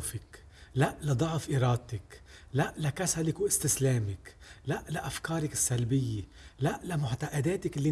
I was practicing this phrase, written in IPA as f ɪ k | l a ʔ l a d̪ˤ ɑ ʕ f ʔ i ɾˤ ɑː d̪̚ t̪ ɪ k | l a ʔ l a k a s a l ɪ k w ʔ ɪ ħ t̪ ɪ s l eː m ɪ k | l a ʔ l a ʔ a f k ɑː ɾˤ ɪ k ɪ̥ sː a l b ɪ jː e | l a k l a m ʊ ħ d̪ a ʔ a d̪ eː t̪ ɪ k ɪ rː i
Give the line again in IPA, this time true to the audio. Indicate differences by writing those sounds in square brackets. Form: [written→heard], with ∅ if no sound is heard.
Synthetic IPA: f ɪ k | l a ʔ l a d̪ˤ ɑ ʕ f ʔ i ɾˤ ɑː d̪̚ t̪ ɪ k | l a ʔ l a k a s a l ɪ k w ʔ ɪ [ħ→s] t̪ ɪ s l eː m ɪ k | l a ʔ l a ʔ a f k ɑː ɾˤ ɪ k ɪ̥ sː a l b ɪ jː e | l a [k→ʔ] l a m ʊ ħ [d̪→t̪] a ʔ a d̪ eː t̪ ɪ k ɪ [rː→lː] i